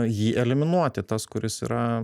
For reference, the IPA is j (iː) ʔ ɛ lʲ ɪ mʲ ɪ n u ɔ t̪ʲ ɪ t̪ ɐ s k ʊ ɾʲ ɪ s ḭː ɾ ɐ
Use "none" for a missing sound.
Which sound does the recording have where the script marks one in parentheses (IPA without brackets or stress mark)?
iː